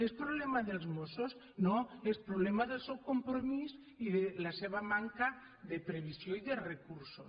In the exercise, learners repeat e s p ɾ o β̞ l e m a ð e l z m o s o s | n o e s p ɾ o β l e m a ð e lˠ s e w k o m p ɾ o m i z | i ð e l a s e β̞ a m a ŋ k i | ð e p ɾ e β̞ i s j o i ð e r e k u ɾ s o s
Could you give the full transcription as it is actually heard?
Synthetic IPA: e s p ɾ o β̞ l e m a ð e l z m o s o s | n o e s p ɾ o β l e m a ð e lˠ s e w k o m p ɾ o m i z | i ð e l a s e β̞ a m a ŋ k a | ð e p ɾ e β̞ i s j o i ð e r e k u ɾ s o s